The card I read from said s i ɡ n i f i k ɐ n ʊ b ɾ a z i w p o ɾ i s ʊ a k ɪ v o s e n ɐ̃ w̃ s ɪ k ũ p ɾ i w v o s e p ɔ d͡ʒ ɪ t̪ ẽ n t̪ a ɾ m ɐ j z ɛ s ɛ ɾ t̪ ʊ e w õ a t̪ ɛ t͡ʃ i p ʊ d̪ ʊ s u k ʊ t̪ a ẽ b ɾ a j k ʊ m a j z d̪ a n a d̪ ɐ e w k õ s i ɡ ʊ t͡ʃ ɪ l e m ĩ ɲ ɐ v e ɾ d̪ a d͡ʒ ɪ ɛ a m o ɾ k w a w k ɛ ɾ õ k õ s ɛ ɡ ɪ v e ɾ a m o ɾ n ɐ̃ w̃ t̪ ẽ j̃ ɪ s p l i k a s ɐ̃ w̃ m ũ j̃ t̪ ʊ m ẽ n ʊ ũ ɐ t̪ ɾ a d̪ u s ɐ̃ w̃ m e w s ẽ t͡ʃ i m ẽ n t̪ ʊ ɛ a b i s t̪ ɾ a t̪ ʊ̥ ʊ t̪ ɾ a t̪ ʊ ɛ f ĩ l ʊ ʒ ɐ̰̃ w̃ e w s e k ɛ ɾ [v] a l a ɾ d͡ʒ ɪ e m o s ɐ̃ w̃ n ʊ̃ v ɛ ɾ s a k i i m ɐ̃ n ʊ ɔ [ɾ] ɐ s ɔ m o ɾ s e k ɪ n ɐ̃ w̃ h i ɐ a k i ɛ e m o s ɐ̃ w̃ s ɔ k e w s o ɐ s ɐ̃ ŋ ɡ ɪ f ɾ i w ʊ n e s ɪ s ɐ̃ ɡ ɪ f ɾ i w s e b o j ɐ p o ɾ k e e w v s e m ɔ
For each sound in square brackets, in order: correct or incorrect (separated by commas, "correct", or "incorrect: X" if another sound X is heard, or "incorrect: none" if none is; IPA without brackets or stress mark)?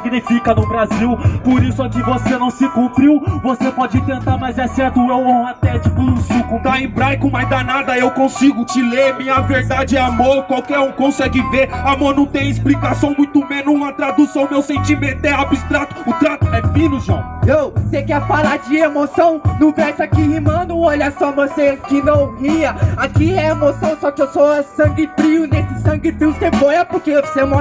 incorrect: f, incorrect: ʎ